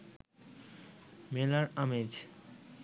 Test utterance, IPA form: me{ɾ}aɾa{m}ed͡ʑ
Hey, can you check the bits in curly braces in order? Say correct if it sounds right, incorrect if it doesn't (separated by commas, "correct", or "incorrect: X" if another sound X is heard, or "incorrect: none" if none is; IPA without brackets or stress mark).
incorrect: l, correct